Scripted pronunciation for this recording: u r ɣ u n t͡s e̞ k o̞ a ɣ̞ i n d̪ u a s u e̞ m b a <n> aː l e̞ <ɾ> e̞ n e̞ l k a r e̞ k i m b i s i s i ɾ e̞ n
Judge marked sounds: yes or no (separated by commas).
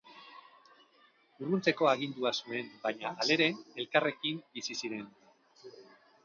no, yes